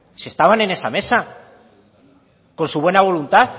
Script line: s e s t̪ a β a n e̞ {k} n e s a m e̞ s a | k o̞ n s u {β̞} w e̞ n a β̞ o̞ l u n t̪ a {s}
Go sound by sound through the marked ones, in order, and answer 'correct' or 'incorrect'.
incorrect, correct, incorrect

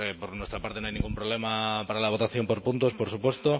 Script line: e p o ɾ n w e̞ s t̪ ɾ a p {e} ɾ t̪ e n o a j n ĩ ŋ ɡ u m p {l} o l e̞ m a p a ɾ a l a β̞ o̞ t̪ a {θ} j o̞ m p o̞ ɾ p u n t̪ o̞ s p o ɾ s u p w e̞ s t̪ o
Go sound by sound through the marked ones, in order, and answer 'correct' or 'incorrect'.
incorrect, incorrect, correct

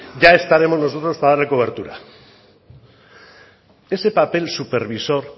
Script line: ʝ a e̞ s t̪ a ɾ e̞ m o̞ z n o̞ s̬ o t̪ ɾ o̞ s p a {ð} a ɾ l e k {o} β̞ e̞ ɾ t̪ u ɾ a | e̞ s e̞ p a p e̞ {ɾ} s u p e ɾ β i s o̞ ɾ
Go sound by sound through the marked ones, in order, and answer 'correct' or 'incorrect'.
correct, correct, incorrect

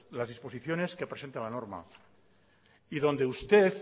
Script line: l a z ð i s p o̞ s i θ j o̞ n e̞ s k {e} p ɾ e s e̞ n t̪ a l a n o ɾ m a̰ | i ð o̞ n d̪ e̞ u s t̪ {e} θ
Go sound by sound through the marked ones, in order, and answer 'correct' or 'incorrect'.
correct, correct

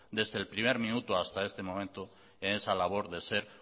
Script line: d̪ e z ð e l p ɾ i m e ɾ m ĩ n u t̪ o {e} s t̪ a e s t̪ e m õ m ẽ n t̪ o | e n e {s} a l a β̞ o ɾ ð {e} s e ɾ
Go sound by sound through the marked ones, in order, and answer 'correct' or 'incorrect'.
incorrect, correct, correct

